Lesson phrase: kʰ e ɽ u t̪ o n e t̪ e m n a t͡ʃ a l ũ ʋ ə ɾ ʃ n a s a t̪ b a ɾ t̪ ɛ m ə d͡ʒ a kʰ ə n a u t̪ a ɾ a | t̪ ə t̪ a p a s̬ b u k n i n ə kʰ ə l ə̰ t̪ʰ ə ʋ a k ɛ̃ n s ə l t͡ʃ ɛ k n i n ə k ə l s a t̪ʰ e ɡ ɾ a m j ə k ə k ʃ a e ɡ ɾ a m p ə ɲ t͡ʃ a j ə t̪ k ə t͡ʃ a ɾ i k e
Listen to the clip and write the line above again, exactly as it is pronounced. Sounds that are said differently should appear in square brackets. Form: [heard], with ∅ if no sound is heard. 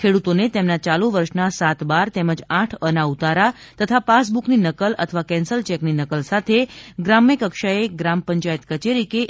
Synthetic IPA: kʰ e ɽ u t̪ o n e t̪ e m n a t͡ʃ a l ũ ʋ ə ɾ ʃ n a s a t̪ b a ɾ t̪ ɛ m ə d͡ʒ a [ʈʰ] ə n a u t̪ a ɾ a | t̪ ə [t̪ʰ] a p a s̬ b u k n i n ə [k] ə l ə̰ t̪ʰ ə ʋ a k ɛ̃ n s ə l t͡ʃ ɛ k n i n ə k ə l s a t̪ʰ e ɡ ɾ a m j ə k ə k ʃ a e ɡ ɾ a m p ə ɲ t͡ʃ a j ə t̪ k ə t͡ʃ [e] ɾ i k e